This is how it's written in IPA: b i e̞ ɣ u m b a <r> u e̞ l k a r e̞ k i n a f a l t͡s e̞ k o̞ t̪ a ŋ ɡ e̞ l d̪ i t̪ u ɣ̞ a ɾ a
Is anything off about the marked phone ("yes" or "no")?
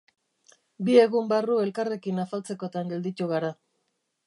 no